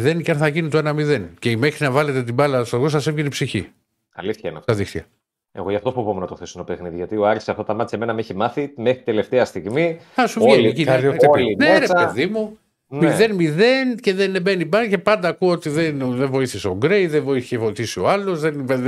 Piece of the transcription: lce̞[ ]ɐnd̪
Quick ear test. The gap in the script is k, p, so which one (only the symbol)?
p